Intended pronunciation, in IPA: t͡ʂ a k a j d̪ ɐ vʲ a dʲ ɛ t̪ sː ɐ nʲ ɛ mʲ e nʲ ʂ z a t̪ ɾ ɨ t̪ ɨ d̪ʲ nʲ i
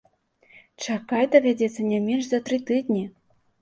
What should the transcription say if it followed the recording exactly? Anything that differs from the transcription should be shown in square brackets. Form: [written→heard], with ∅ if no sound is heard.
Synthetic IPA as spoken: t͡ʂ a k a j d̪ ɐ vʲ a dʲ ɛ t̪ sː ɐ nʲ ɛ mʲ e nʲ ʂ z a t̪ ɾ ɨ t̪ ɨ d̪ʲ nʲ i